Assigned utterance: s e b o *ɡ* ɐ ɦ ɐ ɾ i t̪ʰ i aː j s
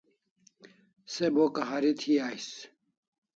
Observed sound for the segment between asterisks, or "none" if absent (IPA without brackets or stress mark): k